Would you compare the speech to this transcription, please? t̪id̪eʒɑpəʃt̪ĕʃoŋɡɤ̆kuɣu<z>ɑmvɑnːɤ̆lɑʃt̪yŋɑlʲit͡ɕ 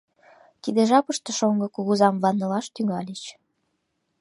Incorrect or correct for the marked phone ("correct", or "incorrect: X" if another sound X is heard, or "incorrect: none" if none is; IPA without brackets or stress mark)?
correct